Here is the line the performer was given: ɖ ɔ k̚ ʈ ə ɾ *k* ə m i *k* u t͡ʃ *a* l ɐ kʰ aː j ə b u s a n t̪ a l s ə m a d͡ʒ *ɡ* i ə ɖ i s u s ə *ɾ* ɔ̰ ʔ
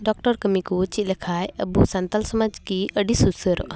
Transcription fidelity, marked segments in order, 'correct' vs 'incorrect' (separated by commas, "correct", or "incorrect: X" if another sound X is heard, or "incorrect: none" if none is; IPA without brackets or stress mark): correct, correct, incorrect: i, incorrect: k, correct